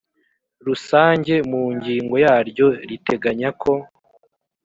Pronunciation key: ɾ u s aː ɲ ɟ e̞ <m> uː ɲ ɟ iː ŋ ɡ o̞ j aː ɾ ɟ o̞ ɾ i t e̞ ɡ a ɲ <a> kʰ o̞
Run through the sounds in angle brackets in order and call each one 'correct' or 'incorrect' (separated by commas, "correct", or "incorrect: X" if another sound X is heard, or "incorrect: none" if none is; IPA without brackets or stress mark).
correct, correct